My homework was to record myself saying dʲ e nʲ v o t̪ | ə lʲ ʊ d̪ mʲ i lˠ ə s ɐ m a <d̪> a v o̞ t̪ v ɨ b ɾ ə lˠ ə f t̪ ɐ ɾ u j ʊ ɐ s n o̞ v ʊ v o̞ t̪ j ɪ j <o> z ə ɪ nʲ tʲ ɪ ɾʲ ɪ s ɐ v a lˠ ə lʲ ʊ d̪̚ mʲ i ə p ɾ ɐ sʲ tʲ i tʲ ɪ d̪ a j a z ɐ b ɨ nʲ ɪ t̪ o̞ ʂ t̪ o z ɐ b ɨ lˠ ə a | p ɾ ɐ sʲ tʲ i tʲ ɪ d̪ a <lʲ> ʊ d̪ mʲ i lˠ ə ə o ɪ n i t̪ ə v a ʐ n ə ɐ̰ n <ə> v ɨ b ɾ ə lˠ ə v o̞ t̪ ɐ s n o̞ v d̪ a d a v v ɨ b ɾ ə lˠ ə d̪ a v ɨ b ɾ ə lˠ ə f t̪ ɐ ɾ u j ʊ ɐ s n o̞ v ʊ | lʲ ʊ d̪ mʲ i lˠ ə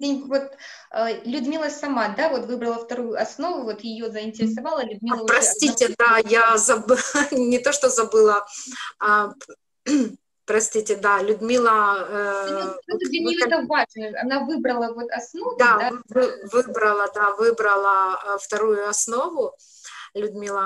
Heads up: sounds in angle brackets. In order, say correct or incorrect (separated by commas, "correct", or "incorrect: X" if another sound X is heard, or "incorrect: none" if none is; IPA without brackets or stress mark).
correct, correct, correct, incorrect: a